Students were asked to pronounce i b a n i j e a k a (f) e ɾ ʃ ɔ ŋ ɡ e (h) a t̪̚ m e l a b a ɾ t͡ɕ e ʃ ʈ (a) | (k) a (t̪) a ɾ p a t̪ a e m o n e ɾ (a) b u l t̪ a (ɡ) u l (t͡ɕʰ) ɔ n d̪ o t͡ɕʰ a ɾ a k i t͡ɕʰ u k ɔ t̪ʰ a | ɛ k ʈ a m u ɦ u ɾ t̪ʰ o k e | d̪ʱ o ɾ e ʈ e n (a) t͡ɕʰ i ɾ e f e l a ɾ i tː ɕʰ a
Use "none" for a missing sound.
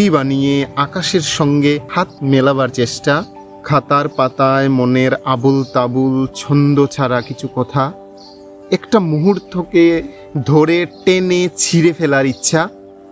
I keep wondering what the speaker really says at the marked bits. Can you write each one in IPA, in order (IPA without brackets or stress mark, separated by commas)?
ʃ, h, a, kʰ, t̪, a, b, t͡ɕʰ, e